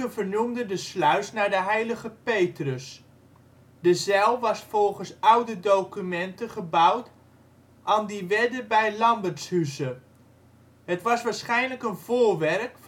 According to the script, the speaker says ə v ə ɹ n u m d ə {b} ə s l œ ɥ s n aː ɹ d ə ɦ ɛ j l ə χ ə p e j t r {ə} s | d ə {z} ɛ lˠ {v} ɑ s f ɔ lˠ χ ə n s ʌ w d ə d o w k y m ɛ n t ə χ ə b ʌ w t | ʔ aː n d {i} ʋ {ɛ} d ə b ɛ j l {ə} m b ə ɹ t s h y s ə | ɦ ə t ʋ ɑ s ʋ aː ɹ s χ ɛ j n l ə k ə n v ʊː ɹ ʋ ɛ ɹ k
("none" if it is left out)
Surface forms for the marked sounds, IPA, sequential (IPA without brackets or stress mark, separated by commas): d, ə, z, ʋ, i, ɛ, ɑ